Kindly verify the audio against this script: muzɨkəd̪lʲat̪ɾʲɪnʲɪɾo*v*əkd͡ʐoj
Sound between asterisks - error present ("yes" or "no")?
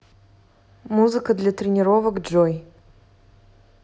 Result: no